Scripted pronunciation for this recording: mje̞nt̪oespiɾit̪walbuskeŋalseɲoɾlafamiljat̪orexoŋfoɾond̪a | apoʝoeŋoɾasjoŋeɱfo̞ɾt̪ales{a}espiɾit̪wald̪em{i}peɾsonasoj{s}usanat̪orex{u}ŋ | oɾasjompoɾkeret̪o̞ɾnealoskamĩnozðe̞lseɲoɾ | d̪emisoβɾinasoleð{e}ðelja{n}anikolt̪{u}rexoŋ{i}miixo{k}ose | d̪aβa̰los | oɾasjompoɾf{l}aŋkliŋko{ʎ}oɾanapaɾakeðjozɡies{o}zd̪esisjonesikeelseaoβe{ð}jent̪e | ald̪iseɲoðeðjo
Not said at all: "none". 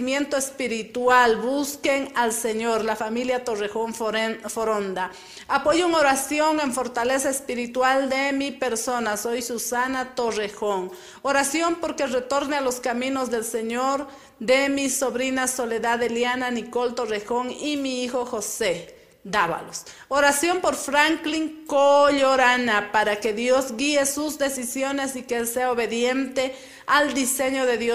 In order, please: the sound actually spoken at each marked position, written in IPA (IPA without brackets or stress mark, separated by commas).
a, i, s, o, a, n, o, i, x, ɾ, ʎ, u, ð